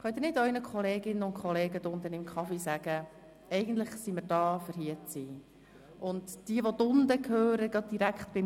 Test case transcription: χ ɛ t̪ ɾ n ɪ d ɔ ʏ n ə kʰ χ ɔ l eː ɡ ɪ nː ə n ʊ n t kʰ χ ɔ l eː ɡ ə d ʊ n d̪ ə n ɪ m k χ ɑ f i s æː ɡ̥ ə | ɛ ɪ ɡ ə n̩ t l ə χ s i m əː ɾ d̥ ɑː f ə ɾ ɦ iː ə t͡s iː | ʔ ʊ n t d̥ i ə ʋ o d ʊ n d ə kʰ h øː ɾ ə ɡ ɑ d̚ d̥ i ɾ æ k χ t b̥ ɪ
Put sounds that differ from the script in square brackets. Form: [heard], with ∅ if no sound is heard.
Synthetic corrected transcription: χ [œ] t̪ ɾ n ɪ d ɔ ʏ n ə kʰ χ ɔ l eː ɡ ɪ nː ə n ʊ n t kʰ χ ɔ l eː ɡ ə d ʊ n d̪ ə n ɪ m k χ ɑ f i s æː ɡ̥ ə | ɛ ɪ ɡ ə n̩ t l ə χ s i m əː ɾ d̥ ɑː f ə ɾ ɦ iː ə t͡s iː | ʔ ʊ n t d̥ i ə ʋ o d ʊ n d ə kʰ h øː ɾ ə ɡ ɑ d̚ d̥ i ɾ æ k χ t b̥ ɪ

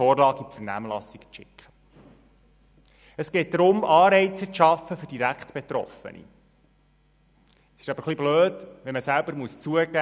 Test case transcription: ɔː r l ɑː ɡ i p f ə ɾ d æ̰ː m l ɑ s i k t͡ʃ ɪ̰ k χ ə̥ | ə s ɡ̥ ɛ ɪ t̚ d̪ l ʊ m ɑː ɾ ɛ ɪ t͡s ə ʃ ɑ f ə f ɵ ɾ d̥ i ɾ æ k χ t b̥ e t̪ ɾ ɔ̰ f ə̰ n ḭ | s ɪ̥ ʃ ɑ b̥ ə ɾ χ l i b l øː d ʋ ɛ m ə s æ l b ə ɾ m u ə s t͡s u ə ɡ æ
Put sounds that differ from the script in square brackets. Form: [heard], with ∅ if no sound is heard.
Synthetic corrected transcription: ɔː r l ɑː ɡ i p f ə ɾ [n] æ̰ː m l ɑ s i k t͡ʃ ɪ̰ k χ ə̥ | ə s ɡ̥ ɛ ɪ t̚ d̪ [ɾ] ʊ m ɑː ɾ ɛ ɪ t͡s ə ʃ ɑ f ə f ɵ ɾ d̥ i ɾ æ k χ t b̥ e t̪ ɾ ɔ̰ f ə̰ n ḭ | s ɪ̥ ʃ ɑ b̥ ə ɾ χ l i b l øː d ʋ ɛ m ə s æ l b ə ɾ m u ə s t͡s u ə ɡ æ

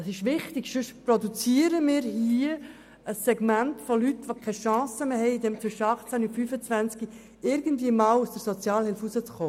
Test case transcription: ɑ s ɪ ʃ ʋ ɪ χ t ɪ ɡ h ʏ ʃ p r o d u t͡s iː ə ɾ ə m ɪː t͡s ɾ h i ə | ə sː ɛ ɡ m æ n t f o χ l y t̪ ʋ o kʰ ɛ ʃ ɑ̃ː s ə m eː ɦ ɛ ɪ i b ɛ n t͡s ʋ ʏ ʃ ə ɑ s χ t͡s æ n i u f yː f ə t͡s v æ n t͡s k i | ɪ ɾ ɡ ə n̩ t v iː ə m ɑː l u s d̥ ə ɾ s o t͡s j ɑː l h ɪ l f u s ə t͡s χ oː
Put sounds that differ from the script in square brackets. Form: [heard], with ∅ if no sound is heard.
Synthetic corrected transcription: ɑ s ɪ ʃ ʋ ɪ χ t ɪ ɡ [ʃ] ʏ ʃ p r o d u t͡s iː ə ɾ ə m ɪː [∅] ɾ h i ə | ə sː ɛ ɡ m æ n t f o [∅] l y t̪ ʋ o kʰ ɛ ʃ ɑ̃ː s ə m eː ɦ ɛ ɪ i [d] ɛ [m] t͡s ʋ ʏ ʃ ə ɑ [∅] χ t͡s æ n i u f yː f ə t͡s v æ n t͡s k i | ɪ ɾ ɡ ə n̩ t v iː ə m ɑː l u s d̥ ə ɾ s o t͡s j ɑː l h ɪ l f u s ə t͡s χ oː

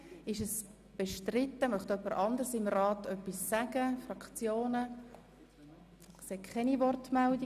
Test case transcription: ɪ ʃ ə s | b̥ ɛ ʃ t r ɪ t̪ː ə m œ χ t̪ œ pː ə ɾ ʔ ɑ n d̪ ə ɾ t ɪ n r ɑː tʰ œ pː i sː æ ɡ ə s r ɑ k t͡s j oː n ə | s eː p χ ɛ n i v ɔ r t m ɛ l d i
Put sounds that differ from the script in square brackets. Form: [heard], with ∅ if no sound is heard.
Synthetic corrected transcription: ɪ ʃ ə s | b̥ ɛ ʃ t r ɪ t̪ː ə m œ χ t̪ œ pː ə ɾ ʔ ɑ n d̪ ə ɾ [s] ɪ [m] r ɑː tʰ œ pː i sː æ ɡ ə [f] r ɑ k t͡s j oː n ə | s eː [k] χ ɛ n i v ɔ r t m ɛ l d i

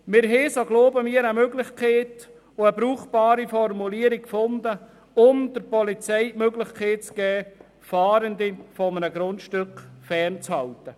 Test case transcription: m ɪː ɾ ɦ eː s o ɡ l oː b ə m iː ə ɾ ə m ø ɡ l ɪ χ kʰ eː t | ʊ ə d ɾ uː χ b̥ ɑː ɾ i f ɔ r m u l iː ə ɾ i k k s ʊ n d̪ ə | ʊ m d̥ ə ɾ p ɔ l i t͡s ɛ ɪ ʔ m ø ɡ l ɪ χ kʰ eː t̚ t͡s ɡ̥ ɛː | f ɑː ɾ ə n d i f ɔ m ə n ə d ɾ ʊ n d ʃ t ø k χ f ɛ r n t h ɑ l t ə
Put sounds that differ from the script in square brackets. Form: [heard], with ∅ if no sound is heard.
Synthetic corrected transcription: m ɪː ɾ ɦ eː s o ɡ l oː b ə m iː ə ɾ ə m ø ɡ l ɪ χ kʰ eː t | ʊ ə [b] ɾ uː χ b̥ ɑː ɾ i f ɔ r m u l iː ə ɾ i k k [f] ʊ n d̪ ə | ʊ m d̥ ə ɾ p ɔ l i t͡s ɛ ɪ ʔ m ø ɡ l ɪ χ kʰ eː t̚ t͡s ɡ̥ ɛː | f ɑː ɾ ə n d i f ɔ m ə n ə [ɡ] ɾ ʊ n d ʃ t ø k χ f ɛ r n [t͡s] h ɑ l t ə

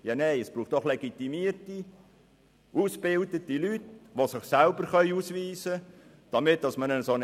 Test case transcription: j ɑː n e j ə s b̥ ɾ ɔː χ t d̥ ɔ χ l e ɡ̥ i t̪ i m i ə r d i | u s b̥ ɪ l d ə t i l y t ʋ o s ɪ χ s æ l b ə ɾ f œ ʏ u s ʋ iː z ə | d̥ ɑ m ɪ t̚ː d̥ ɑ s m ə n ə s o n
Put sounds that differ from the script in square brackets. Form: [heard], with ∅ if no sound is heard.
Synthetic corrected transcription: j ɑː n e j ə s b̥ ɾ [uː] χ t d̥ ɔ χ l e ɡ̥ i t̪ i m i ə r [t] i | u s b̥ ɪ l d ə t i l y t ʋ o s ɪ χ s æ l b ə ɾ [χ] œ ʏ u s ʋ iː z ə | d̥ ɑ m ɪ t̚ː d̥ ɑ s m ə n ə s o n

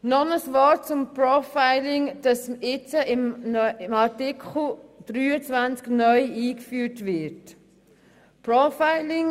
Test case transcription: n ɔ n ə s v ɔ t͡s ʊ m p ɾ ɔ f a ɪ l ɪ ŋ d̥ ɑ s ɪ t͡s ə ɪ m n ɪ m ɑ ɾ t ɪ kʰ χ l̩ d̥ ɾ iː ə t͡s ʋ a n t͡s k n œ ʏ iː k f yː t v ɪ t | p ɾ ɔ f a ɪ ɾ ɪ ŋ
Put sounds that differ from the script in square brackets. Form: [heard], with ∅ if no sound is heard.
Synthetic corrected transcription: n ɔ n ə s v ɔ t͡s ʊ m p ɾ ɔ f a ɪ l ɪ ŋ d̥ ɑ s ɪ t͡s ə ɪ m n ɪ m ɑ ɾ t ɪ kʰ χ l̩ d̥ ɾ [yː] ə t͡s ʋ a n t͡s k n œ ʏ iː k f yː t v ɪ t | p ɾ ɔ f a ɪ [l] ɪ ŋ

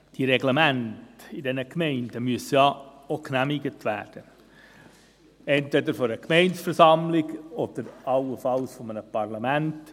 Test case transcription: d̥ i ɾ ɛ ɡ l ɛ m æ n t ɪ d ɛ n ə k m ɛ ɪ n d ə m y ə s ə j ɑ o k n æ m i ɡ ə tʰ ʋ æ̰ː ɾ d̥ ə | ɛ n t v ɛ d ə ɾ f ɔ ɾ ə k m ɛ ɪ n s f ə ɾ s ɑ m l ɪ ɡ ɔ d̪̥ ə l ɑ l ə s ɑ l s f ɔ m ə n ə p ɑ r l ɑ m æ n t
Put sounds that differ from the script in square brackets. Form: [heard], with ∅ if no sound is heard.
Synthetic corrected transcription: d̥ i ɾ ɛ ɡ l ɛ m æ n t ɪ d ɛ n ə k m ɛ ɪ n d ə m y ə s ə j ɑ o k n æ m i ɡ ə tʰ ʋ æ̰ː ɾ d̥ ə | ɛ n t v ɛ d ə ɾ f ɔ ɾ ə k m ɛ ɪ n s f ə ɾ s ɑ m l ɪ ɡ ɔ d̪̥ ə [ɾ] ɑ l ə [f] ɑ l s f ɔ m ə n ə p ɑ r l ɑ m æ n t

